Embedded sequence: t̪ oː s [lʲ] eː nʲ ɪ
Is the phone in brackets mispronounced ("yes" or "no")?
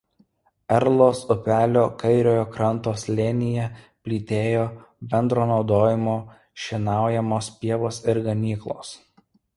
no